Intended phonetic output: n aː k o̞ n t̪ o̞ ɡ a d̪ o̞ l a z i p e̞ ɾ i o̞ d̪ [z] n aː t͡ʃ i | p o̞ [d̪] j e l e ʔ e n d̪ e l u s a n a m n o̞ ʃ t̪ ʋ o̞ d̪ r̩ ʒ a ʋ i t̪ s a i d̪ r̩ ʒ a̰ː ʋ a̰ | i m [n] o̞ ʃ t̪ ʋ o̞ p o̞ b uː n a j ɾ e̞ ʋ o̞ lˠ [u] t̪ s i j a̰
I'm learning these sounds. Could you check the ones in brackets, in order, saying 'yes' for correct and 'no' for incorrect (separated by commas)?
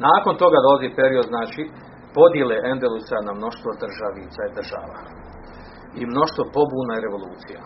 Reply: yes, yes, yes, no